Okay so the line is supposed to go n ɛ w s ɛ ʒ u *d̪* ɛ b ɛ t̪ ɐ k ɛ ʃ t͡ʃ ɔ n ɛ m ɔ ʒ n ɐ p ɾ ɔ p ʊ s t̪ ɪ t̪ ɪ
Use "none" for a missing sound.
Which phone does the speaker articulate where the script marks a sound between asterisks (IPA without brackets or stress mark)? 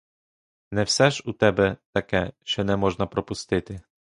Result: t̪